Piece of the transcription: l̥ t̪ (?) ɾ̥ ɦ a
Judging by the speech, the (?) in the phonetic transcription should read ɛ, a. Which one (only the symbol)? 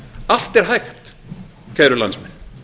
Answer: ɛ